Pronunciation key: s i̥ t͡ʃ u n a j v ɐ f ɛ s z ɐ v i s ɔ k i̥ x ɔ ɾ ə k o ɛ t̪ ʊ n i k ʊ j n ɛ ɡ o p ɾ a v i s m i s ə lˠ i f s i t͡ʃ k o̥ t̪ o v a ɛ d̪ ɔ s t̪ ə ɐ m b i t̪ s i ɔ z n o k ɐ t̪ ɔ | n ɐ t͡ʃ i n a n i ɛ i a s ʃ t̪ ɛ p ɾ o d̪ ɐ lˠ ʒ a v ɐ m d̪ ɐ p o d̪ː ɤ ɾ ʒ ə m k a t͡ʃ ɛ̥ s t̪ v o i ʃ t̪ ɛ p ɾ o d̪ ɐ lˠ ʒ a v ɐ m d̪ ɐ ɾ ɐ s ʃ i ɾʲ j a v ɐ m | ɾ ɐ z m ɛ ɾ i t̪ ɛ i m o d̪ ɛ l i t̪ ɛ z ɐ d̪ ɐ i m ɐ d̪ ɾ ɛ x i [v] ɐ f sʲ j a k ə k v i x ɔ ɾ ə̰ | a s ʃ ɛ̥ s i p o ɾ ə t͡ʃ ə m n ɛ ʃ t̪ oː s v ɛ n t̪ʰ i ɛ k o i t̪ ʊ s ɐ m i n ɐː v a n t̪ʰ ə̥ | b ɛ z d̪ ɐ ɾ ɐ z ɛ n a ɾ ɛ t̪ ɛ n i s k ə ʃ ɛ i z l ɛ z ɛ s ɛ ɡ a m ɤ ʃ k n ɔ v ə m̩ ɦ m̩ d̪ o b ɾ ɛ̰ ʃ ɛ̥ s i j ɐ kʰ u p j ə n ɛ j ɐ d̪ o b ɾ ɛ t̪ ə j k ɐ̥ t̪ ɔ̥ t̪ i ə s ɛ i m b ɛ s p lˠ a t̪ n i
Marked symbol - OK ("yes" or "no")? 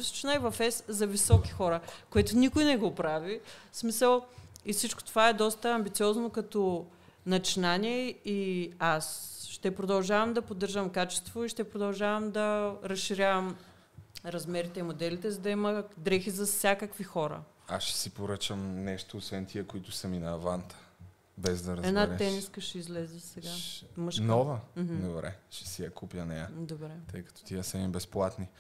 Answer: no